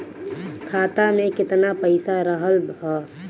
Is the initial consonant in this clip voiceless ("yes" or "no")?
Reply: yes